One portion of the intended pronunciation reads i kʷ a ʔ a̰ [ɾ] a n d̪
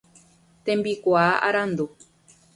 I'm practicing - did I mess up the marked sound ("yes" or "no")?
no